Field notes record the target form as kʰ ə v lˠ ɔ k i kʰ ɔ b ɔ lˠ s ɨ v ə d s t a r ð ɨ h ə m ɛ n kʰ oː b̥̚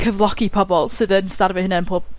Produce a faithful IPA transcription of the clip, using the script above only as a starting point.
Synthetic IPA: kʰ ə v lˠ ɔ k i pʰ ɔ b ɔ lˠ s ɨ ð ə n s t a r v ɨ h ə n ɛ n pʰ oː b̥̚